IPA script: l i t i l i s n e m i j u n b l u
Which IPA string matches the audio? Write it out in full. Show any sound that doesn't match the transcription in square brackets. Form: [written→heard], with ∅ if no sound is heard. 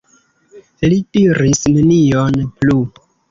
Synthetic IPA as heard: l i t i [l→ɾ] i s n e [m→n] i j [u→o] n [b→p] l u